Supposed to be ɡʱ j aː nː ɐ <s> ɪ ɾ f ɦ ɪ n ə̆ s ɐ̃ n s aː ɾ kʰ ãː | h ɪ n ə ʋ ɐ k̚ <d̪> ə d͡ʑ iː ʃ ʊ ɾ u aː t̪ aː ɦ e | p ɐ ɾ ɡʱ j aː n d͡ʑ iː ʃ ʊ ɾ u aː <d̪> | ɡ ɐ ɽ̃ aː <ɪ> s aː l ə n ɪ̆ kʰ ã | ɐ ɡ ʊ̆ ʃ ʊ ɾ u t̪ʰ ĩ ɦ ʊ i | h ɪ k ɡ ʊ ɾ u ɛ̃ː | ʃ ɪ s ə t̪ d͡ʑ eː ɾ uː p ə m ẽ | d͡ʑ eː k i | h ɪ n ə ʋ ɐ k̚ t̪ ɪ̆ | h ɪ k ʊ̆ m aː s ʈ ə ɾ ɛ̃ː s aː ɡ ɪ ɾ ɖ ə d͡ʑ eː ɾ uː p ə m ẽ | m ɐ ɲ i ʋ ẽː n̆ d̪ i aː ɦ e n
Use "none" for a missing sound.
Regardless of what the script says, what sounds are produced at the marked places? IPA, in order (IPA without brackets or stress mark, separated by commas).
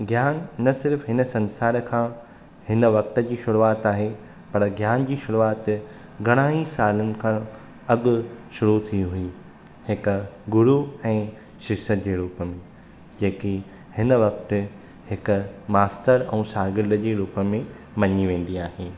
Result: s, t̪, t̪, i